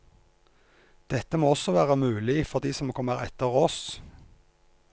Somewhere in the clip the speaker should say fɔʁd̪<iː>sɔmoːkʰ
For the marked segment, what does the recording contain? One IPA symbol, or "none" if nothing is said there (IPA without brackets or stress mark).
iː